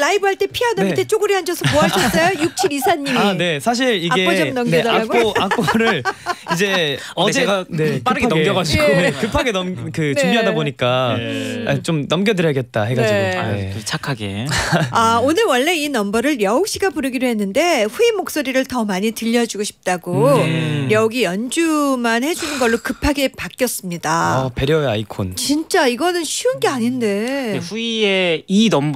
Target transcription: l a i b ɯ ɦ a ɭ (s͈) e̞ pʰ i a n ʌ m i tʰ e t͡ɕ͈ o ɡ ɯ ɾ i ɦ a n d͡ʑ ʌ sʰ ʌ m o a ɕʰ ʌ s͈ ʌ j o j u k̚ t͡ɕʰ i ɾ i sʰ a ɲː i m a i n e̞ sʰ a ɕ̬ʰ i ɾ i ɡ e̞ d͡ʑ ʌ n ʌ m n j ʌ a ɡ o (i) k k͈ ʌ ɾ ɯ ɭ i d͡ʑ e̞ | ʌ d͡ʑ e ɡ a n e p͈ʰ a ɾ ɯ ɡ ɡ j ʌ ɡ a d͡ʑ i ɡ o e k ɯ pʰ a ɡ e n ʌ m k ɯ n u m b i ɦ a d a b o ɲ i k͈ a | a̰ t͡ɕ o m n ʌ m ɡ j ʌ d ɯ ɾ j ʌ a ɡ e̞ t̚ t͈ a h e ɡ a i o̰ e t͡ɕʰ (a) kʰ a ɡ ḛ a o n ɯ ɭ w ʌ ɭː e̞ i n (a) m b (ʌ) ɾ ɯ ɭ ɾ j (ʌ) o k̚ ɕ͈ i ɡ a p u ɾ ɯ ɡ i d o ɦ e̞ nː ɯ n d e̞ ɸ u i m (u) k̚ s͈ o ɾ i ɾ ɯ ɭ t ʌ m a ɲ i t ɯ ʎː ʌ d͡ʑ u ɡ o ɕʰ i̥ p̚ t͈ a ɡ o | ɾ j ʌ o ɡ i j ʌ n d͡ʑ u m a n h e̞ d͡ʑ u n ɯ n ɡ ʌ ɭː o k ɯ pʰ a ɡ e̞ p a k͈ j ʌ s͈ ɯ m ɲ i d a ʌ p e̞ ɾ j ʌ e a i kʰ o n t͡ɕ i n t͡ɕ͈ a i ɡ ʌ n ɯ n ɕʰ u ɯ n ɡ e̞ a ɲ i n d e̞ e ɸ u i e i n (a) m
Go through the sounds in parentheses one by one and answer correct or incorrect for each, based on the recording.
incorrect, incorrect, correct, incorrect, correct, correct, incorrect, incorrect

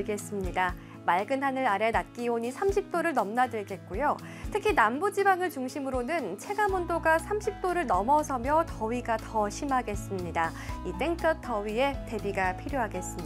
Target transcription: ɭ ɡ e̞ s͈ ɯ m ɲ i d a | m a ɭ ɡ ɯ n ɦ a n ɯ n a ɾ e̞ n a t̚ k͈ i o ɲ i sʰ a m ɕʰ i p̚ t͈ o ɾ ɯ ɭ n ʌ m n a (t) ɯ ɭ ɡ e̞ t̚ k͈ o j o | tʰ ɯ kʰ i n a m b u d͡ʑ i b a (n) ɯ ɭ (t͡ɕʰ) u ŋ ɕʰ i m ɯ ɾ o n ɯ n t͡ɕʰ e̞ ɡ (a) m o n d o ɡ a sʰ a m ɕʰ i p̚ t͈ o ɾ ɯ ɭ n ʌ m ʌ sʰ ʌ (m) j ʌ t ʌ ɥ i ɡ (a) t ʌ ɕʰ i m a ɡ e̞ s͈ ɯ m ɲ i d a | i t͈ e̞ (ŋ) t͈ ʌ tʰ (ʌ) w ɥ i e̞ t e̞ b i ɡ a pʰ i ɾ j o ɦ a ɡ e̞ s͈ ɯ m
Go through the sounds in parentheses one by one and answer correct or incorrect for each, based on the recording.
incorrect, incorrect, incorrect, correct, correct, correct, correct, correct

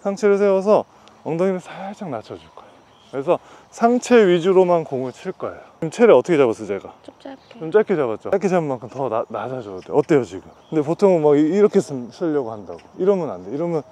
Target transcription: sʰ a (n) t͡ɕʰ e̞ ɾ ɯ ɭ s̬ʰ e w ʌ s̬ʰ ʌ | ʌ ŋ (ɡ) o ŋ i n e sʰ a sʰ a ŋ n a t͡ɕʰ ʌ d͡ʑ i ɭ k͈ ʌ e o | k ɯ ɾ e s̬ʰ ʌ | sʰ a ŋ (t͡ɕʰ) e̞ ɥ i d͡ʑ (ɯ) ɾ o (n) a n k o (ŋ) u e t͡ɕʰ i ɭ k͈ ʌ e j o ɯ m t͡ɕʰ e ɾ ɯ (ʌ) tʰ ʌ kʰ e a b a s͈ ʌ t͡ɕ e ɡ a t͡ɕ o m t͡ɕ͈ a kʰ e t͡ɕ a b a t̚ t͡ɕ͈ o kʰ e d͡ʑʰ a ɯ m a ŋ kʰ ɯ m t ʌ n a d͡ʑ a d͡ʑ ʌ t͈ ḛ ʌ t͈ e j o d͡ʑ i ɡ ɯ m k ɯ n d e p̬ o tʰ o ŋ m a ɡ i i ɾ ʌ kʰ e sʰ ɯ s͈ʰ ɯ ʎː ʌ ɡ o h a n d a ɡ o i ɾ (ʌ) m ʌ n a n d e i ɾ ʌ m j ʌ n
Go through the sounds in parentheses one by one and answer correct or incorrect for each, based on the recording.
incorrect, incorrect, correct, incorrect, incorrect, correct, correct, correct

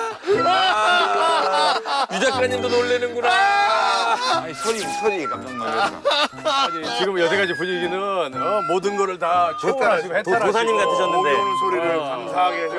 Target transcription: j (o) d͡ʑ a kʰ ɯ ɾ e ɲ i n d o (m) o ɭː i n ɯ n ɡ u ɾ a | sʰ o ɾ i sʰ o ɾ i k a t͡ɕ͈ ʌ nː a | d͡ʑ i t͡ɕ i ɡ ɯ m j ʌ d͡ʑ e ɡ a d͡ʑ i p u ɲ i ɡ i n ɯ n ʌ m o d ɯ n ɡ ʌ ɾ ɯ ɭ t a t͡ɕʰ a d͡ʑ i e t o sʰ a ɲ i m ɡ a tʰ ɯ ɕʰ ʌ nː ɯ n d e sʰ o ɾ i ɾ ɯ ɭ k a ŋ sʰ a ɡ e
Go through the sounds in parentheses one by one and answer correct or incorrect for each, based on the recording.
incorrect, incorrect

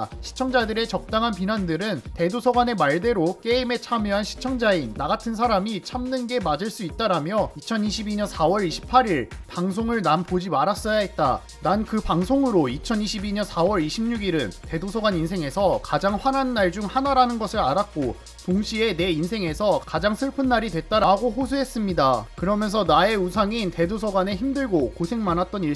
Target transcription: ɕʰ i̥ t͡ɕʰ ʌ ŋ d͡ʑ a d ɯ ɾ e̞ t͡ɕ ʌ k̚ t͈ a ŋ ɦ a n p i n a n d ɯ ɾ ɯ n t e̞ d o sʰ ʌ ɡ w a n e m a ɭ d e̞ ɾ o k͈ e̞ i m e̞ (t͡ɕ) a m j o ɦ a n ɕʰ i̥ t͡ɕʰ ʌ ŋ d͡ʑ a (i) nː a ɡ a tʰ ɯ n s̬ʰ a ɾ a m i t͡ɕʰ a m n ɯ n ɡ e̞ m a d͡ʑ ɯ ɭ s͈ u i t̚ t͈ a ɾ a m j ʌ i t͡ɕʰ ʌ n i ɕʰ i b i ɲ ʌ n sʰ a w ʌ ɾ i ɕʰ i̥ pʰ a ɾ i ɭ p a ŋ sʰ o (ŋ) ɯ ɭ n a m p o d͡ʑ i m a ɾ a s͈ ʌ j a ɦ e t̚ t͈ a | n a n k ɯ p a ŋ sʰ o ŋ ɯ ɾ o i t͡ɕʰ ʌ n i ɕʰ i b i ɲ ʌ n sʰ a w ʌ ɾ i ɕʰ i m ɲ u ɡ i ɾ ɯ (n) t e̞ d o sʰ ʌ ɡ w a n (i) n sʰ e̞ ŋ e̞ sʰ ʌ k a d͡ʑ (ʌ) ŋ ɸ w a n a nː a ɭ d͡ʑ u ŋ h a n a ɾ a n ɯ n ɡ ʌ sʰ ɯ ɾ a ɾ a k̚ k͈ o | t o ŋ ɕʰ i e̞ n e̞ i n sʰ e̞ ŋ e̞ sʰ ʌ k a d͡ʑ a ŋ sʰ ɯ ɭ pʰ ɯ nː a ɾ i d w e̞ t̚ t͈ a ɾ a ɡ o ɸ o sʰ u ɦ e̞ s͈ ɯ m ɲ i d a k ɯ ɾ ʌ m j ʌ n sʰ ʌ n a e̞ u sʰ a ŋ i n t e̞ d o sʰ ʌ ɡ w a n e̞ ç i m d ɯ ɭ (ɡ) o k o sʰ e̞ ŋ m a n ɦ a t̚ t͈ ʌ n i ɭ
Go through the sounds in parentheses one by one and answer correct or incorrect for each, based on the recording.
incorrect, correct, correct, correct, correct, incorrect, correct

